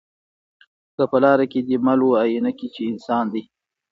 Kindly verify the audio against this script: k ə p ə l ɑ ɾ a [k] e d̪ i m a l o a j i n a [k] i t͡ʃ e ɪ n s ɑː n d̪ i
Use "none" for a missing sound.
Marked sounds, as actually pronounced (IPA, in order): k, k

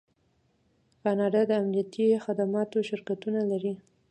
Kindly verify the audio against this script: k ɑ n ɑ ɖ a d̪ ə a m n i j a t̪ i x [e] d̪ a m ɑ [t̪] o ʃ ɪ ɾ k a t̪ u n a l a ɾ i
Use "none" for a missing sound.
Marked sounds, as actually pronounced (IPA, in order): a, t̪

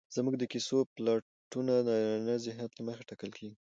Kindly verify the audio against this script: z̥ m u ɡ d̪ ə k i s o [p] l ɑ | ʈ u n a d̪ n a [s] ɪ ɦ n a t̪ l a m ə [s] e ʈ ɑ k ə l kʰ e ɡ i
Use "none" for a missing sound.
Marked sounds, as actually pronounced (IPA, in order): p, z, x

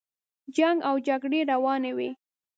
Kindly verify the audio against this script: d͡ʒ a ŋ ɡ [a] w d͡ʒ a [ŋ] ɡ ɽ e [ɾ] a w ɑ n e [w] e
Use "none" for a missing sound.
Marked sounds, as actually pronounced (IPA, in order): a, none, ɾ, w

